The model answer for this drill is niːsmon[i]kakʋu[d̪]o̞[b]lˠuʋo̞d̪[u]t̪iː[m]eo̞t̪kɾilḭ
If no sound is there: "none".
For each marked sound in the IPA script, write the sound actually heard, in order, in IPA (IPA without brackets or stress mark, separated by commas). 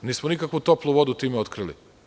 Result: i, t̪, p, u, m